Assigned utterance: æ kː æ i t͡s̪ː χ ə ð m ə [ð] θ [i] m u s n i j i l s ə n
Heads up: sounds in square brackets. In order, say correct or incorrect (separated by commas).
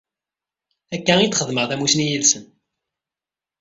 incorrect, incorrect